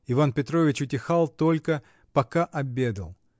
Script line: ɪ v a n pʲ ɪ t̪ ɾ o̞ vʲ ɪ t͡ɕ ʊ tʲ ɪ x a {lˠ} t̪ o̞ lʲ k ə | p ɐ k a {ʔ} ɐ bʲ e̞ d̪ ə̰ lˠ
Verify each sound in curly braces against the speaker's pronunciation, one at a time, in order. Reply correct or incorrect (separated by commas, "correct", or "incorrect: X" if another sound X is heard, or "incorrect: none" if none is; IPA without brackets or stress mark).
correct, correct